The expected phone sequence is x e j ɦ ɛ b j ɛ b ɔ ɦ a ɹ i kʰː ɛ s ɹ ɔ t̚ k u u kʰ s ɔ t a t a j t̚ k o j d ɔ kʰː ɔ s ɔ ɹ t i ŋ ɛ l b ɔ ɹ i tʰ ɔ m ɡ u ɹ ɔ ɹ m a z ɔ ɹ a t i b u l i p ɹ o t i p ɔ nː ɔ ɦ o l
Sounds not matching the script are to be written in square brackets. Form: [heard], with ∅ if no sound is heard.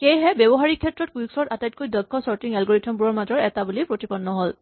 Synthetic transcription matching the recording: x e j ɦ ɛ b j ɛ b ɔ ɦ a ɹ i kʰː ɛ [t] ɹ ɔ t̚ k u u [k] s ɔ t a t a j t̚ k o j d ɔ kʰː ɔ s ɔ ɹ t i ŋ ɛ l [ɡ] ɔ ɹ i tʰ ɔ m [b] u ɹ ɔ ɹ m a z ɔ ɹ [ɛ] t [a] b u l i p ɹ o t i p ɔ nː ɔ ɦ o l